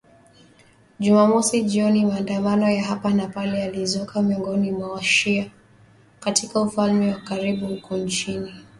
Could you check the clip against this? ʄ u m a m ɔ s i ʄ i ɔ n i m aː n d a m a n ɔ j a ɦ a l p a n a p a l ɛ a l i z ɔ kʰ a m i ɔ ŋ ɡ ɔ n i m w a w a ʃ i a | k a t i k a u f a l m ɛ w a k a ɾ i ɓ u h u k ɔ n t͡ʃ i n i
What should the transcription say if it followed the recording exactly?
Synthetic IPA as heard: ʄ u m a m ɔ s i ʄ i ɔ n i m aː n d a m a n ɔ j a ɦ a p a n a p a l ɛ a l i z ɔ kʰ a m i ɔ ŋ ɡ ɔ n i m w a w a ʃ i a | k a t i k a u f a l m ɛ w a k a ɾ i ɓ u h u k ɔ n t͡ʃ i n i